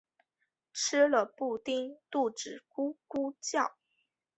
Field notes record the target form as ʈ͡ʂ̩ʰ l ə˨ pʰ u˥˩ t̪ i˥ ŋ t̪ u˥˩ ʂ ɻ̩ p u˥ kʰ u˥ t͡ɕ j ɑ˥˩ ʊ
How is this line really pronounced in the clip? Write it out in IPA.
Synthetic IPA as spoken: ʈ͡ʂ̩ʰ l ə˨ p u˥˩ t̪ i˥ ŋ t̪ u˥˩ ʈ͡ʂ ɻ̩ k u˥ k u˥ t͡ɕ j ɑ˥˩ ʊ

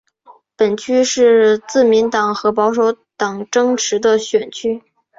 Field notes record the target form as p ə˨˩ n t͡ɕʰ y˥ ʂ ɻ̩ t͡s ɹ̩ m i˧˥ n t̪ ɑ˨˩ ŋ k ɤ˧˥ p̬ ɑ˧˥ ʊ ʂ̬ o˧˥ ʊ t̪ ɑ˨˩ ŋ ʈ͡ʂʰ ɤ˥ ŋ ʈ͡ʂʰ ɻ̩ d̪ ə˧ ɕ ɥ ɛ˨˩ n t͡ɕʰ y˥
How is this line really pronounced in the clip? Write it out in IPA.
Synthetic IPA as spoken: p ə˨˩ n t͡ɕʰ y˥ ʂ ɻ̩ t͡s ɹ̩ m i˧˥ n t̪ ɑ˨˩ ŋ x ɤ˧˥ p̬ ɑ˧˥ ʊ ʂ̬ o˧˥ ʊ t̪ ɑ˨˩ ŋ ʈ͡ʂ ɤ˥ ŋ ʈ͡ʂʰ ɻ̩ d̪ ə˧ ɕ ɥ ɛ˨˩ n t͡ɕʰ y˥

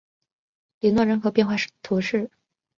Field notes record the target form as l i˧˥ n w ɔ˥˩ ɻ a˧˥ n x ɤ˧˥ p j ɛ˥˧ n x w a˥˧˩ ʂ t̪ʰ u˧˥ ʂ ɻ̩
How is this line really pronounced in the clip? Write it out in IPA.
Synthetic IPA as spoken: l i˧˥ n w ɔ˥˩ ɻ ə˧˥ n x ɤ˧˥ p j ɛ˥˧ n x w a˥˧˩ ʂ t̪ʰ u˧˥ ʂ ɻ̩

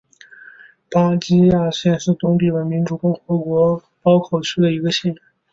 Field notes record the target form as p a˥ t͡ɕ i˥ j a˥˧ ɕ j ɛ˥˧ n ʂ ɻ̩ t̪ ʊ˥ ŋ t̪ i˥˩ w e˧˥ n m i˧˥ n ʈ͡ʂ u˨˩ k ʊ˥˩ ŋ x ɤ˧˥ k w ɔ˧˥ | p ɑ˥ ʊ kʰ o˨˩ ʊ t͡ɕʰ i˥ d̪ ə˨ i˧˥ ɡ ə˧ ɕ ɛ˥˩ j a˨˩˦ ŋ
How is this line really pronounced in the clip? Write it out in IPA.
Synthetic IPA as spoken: p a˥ t͡ɕ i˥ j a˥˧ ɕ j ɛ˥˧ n ʂ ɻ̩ t̪ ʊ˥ ŋ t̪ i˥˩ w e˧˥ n m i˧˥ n ʈ͡ʂ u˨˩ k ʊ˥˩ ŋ x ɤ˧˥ k w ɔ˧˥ | p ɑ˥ ʊ kʰ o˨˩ ʊ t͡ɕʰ y˥ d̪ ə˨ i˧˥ ɡ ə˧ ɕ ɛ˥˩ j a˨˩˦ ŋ

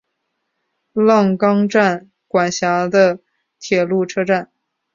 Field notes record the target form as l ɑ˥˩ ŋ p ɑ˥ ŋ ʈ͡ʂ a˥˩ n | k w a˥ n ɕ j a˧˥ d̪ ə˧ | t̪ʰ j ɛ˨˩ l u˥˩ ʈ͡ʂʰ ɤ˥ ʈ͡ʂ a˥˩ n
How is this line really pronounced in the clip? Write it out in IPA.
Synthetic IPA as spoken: l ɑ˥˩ ŋ k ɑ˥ ŋ ʈ͡ʂ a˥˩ n | k w a˨˩ n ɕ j a˧˥ d̪ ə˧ | t̪ʰ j ɛ˨˩ l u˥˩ ʈ͡ʂʰ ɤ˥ ʈ͡ʂ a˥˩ n

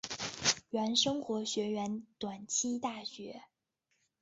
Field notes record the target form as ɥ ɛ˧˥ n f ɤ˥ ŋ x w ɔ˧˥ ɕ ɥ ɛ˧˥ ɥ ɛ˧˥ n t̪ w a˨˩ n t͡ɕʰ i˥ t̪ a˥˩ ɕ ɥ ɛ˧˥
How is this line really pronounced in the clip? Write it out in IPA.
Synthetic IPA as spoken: ɥ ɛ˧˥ n ʂ ɤ˥ ŋ x w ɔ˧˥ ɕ ɥ ɛ˧˥ ɥ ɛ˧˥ n t̪ w a˨˩ n t͡ɕʰ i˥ t̪ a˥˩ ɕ ɥ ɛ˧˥

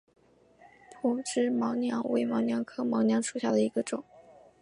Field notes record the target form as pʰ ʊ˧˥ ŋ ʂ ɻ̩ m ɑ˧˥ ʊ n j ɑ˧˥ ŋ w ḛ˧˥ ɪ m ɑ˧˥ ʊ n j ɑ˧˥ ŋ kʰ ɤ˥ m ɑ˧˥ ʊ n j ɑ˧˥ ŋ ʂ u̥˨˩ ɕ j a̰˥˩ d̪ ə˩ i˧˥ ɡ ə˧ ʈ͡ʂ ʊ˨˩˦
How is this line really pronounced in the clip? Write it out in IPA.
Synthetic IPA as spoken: pʰ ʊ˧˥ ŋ ʈ͡ʂ ɻ̩ m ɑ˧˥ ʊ n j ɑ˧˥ ŋ w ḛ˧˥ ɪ m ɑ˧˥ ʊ n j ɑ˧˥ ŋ kʰ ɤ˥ m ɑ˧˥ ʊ n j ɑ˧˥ ŋ ʂ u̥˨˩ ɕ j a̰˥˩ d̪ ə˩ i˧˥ ɡ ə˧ ʈ͡ʂ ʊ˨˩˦

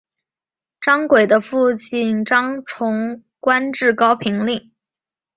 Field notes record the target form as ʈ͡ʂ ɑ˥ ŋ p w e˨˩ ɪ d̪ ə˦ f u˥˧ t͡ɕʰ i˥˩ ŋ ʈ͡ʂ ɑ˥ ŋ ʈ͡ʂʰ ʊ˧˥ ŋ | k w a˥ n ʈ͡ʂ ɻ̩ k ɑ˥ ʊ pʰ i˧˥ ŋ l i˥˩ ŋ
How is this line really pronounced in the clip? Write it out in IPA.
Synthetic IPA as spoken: ʈ͡ʂ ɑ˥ ŋ k w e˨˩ ɪ d̪ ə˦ f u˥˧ t͡ɕ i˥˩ n ʈ͡ʂ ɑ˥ ŋ ʈ͡ʂʰ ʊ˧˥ ŋ | k w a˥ n ʈ͡ʂ ɻ̩ k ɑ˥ ʊ pʰ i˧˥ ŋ l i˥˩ ŋ

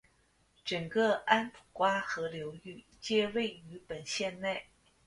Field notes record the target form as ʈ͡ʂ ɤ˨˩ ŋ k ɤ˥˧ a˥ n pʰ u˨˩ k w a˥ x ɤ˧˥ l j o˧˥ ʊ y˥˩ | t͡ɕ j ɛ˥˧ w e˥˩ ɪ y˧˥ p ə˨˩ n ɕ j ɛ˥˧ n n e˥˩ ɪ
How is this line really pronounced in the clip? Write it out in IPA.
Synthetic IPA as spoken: ʈ͡ʂ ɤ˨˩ ŋ k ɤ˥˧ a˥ n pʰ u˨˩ k w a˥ x ɤ˧˥ l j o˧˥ ʊ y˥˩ | t͡ɕ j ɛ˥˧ w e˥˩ ɪ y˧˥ p ə˨˩ n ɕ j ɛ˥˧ n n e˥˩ ɪ

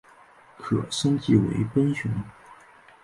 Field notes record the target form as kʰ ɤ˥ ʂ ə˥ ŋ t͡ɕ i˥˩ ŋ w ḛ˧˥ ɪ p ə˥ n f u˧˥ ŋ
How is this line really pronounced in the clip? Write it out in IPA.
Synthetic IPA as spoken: kʰ ɤ˨˩ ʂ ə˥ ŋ t͡ɕ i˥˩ w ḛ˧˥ ɪ p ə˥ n ɕ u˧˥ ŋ

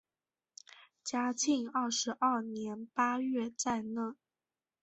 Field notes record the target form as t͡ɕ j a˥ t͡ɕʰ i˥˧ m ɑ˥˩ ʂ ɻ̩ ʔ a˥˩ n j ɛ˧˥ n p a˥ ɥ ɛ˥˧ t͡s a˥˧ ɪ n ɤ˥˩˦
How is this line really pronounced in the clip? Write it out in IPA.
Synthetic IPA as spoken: t͡ɕ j a˥ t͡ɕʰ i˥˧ ŋ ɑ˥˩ ʂ ɻ̩ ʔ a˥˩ n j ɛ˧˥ n p a˥ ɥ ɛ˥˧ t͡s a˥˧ ɪ n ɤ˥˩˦

